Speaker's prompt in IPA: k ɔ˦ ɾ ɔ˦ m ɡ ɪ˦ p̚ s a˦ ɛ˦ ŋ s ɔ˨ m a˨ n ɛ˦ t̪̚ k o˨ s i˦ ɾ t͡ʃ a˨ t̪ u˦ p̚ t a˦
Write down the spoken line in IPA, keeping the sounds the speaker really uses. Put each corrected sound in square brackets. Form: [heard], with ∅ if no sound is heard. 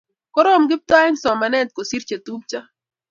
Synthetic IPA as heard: k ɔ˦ ɾ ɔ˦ m ɡ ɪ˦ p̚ [t] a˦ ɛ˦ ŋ s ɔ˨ m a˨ n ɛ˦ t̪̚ k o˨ s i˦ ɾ t͡ʃ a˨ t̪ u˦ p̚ [t͡ʃ] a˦